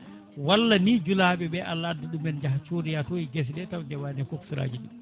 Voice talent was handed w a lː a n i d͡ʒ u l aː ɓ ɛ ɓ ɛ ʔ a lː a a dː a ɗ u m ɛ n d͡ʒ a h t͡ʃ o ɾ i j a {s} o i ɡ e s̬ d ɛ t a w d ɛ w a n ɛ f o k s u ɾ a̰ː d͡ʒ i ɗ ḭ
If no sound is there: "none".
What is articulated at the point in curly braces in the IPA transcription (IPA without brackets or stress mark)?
t